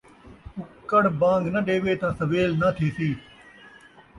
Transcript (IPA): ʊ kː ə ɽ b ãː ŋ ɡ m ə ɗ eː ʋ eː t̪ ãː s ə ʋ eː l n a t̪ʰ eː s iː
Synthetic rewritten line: ʊ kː ə ɽ b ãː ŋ ɡ n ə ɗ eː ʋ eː t̪ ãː s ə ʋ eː l n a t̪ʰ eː s iː